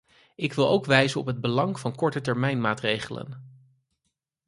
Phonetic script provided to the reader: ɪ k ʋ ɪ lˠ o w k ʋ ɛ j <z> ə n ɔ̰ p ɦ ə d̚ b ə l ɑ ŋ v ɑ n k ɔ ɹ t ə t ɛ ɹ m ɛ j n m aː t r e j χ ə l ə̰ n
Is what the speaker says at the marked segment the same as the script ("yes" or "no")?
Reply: yes